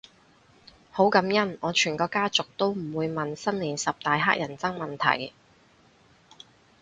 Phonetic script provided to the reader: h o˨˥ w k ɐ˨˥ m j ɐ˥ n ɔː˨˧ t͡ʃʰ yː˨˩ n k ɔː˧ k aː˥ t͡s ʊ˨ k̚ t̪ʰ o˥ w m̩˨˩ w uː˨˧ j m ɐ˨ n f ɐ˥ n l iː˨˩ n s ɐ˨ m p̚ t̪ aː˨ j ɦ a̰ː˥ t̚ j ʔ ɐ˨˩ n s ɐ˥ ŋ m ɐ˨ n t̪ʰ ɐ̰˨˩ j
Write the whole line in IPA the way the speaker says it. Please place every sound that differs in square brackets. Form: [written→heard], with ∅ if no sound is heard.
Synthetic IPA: h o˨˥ w k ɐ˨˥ m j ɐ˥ n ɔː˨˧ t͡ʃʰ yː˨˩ n k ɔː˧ k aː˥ t͡s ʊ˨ k̚ [t̪ʰ→t̪] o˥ w m̩˨˩ w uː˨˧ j m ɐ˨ n [f→s] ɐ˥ n l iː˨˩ n s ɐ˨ [m→∅] p̚ t̪ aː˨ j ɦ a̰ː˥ [t̚→k̚] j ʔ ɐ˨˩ n [s→t͡s] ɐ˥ ŋ m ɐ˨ n t̪ʰ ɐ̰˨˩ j

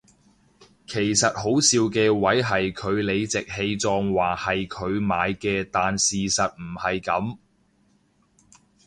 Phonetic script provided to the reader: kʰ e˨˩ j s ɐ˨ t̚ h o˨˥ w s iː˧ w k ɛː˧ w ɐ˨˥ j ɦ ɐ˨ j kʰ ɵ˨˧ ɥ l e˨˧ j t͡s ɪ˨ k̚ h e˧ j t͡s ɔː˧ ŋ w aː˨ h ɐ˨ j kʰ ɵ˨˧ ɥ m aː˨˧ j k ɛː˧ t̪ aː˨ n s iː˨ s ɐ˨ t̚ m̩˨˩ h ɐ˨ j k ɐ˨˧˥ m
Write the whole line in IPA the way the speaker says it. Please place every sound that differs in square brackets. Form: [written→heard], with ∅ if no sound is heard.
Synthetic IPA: kʰ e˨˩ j s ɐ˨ t̚ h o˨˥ w s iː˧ w k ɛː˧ w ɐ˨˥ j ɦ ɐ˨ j kʰ ɵ˨˧ ɥ l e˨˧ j t͡s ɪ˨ k̚ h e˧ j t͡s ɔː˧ ŋ w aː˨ h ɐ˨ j kʰ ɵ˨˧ ɥ m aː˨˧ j k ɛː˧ t̪ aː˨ n s iː˨ s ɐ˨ t̚ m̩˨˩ h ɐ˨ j k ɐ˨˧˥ m

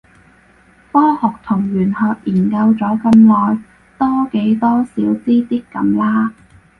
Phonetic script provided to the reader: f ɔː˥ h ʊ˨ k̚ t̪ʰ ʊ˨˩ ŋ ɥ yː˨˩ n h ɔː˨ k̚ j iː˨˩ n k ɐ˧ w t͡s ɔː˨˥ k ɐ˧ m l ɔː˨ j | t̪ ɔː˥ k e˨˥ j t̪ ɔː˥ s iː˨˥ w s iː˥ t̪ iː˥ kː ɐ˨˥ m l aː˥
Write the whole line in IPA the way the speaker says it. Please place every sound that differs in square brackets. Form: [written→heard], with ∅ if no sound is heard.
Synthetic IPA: f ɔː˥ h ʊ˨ k̚ t̪ʰ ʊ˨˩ ŋ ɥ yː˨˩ n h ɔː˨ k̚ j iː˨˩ n k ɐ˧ w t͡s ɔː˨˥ k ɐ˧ m l ɔː˨ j | t̪ ɔː˥ k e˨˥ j t̪ ɔː˥ s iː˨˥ w [s→t͡s] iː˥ t̪ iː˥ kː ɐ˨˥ m l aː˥

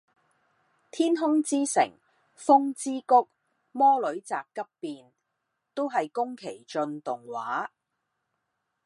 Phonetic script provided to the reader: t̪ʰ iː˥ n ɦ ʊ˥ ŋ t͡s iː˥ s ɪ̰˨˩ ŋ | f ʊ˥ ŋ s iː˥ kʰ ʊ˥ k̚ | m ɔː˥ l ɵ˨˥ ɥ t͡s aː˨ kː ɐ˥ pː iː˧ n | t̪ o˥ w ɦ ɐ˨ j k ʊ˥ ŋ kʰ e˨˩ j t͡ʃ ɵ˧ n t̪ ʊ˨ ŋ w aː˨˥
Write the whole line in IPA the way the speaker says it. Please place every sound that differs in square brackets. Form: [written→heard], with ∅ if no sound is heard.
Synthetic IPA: t̪ʰ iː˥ n ɦ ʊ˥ ŋ t͡s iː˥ s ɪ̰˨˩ ŋ | f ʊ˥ ŋ [s→t͡s] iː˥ [kʰ→k] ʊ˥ k̚ | m ɔː˥ l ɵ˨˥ ɥ t͡s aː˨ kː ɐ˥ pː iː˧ n | t̪ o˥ w ɦ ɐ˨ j k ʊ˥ ŋ kʰ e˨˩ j t͡ʃ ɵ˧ n t̪ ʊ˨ ŋ w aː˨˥

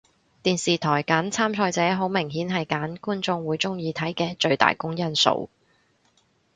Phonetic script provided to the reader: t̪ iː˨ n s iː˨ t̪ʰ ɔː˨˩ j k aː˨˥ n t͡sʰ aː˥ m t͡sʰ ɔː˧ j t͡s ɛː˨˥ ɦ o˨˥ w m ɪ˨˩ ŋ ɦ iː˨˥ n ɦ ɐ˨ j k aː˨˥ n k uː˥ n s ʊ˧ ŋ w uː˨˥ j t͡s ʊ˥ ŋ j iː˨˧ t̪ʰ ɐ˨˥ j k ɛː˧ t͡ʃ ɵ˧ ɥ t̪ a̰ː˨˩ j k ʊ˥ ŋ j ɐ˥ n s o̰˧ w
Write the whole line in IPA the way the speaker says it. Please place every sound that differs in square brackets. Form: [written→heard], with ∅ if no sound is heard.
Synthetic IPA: t̪ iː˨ n s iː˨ t̪ʰ ɔː˨˩ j k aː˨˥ n t͡sʰ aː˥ m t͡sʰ ɔː˧ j t͡s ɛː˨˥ ɦ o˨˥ w m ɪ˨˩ ŋ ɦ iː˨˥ n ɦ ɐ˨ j k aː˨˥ n k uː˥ n [s→t͡s] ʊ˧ ŋ w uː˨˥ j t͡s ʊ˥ ŋ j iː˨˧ t̪ʰ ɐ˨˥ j k ɛː˧ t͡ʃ ɵ˧ ɥ t̪ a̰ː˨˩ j k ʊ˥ ŋ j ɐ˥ n s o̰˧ w

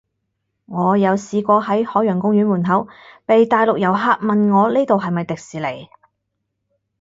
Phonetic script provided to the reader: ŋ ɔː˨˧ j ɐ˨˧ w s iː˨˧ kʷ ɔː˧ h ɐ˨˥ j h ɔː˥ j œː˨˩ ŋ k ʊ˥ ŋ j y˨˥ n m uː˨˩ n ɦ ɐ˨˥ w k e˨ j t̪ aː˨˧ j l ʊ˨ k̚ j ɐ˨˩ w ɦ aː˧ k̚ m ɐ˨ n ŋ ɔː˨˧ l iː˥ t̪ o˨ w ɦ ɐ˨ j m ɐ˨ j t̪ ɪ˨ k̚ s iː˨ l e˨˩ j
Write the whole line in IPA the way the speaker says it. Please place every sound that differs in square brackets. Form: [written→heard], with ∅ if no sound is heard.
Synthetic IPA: ŋ ɔː˨˧ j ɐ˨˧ w s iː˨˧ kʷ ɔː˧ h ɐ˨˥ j h [ɔː˥→ɔː˨˥] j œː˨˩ ŋ k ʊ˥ ŋ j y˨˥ n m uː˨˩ n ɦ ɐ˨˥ w [k→p] e˨ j t̪ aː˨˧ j l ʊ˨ k̚ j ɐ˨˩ w ɦ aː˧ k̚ m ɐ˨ n ŋ ɔː˨˧ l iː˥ t̪ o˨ w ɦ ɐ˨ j m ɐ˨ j t̪ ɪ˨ k̚ s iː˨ l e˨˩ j

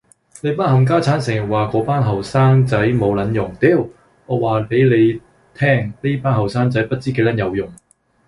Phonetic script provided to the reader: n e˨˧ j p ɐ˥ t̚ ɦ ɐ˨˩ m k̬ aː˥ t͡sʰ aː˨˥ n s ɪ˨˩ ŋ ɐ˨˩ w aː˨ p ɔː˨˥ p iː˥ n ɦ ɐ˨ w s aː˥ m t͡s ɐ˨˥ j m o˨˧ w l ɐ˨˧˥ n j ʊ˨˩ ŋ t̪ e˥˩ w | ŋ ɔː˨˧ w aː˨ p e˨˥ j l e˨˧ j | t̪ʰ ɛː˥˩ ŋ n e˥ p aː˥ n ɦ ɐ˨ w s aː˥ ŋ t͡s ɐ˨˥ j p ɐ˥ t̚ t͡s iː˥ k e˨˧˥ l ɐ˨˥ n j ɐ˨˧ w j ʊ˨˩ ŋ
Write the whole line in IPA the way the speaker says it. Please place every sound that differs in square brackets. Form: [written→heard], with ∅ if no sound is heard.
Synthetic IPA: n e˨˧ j p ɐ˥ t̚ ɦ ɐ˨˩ m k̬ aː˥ t͡sʰ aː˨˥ n s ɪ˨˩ ŋ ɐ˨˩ w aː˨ [p→k] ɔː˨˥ p [iː˥→aː˥] n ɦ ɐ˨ w s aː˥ [m→ŋ] t͡s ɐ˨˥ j m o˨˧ w l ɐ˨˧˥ n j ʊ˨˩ ŋ t̪ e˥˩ w | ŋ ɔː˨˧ w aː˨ p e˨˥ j l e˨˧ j | t̪ʰ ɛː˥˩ ŋ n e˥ p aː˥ n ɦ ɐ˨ w s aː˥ ŋ t͡s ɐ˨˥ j p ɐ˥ t̚ t͡s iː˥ k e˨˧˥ l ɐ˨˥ n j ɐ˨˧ w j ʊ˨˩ ŋ

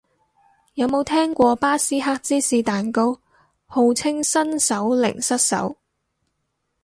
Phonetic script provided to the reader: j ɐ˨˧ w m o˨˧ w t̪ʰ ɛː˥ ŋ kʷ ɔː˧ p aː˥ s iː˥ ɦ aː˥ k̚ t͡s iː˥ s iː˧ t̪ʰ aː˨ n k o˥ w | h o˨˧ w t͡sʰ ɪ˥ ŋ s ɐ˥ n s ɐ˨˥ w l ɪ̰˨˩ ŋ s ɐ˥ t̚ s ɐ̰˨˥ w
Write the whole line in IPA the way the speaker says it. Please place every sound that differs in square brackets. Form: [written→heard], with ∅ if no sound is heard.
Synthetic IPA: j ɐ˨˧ w m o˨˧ w t̪ʰ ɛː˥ ŋ kʷ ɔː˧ p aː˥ s iː˥ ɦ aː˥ k̚ t͡s iː˥ s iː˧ [t̪ʰ→t̪] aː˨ n k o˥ w | h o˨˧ w t͡sʰ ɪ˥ ŋ s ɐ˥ n s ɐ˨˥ w l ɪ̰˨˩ ŋ s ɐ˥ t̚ s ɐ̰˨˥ w

